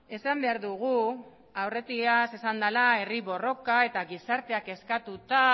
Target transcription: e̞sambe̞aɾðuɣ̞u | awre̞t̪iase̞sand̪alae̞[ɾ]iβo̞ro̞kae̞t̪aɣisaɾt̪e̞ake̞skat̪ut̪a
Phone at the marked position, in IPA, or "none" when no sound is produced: r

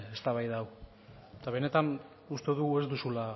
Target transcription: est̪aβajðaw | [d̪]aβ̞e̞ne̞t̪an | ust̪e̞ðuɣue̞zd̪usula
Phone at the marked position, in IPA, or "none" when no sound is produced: t̪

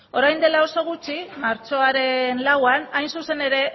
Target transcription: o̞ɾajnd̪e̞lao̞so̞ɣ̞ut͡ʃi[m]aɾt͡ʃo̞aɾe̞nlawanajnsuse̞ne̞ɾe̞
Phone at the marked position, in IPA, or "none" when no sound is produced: m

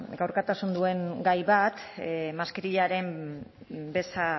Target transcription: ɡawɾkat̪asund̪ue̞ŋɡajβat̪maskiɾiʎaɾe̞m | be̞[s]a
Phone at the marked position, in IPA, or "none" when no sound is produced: s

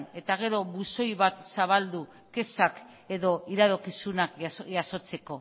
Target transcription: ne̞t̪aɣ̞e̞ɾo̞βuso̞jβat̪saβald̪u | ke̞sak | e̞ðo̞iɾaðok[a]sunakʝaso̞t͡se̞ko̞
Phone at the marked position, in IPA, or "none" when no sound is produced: i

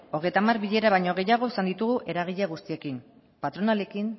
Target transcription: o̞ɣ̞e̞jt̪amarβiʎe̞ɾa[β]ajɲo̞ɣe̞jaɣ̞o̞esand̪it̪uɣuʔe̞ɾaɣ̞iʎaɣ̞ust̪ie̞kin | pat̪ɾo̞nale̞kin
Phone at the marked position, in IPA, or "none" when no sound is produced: β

